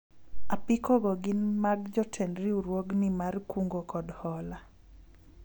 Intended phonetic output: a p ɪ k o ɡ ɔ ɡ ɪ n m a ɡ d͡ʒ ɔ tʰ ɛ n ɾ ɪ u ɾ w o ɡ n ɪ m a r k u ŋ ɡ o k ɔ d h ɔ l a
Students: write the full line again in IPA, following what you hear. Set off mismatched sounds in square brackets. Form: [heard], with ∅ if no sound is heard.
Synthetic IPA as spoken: a p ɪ k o ɡ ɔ ɡ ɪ n m a ɡ d͡ʒ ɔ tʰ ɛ n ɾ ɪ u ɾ w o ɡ n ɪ m a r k u ŋ ɡ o k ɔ d h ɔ l a